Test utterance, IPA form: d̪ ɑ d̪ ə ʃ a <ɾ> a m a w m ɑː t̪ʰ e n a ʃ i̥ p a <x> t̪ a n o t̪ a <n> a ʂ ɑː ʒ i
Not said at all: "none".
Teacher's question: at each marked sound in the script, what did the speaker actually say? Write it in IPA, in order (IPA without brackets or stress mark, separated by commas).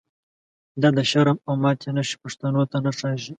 ɾ, ʂ, n